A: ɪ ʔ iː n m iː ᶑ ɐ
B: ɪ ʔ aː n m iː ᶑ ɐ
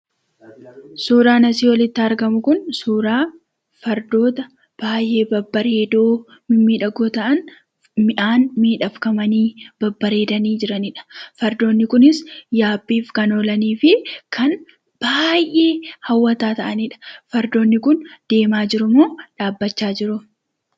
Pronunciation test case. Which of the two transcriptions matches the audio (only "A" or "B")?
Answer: B